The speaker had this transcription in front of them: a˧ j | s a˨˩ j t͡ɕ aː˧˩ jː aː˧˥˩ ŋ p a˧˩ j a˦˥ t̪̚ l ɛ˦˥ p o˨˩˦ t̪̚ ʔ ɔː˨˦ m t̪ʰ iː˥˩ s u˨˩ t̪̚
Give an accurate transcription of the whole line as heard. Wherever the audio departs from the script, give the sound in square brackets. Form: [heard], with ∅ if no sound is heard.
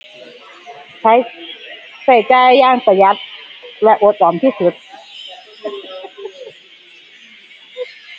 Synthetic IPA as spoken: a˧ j | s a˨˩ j t͡ɕ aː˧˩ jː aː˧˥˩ ŋ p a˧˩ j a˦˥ t̪̚ l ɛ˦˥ [ʔ] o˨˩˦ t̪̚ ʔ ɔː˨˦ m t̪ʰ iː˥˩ s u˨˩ t̪̚